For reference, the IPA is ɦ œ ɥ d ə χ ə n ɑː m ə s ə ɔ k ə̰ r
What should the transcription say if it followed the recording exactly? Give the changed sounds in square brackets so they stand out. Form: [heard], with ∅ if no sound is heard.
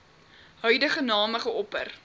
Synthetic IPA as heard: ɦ œ ɥ d ə χ ə n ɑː m ə [χ] ə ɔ [p] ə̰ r